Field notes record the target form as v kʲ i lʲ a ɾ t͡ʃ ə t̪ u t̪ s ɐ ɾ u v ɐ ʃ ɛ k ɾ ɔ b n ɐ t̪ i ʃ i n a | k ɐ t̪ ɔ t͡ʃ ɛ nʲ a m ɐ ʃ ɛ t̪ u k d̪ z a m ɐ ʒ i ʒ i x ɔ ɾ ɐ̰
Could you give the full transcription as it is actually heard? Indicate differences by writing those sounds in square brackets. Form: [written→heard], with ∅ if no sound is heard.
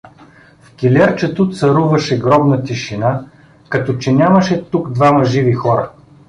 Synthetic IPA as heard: [v→f] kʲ i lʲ [a→ɛ] ɾ t͡ʃ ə t̪ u t̪ s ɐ ɾ u v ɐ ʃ ɛ [k→ɡ] ɾ ɔ b n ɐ t̪ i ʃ i n a | k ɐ t̪ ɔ t͡ʃ ɛ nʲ a m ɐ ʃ ɛ t̪ u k d̪ [z→v] a m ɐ ʒ i [ʒ→v] i x ɔ ɾ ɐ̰